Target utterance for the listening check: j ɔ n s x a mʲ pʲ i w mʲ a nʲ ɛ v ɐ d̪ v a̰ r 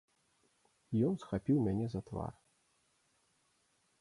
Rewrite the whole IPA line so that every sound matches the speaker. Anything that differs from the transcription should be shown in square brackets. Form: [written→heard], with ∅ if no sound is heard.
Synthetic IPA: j ɔ n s x a [mʲ→∅] pʲ i w mʲ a nʲ ɛ [v→z] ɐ [d̪→t̪] v a̰ r